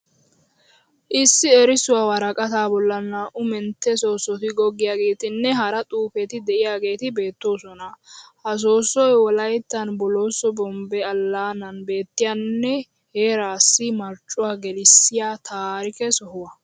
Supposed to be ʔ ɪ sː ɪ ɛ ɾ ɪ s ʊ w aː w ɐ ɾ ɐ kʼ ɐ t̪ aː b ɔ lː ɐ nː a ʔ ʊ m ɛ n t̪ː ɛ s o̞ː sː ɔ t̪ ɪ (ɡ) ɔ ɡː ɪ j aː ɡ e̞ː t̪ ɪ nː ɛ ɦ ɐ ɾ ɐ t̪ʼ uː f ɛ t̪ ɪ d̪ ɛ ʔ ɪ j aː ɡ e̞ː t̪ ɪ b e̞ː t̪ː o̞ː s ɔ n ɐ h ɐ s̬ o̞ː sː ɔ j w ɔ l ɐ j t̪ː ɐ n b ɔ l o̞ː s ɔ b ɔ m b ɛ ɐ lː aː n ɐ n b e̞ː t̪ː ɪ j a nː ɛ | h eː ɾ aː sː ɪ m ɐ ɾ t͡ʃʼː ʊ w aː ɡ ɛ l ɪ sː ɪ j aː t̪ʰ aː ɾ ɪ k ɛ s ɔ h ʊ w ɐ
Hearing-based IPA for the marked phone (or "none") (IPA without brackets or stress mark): ɡ